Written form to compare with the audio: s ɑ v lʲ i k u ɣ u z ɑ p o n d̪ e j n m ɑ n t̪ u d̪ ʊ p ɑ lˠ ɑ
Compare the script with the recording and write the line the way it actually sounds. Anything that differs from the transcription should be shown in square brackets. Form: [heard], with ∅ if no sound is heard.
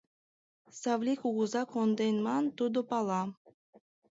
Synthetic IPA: s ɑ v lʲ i k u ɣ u z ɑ [k] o n d̪ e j n m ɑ n t̪ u d̪ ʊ p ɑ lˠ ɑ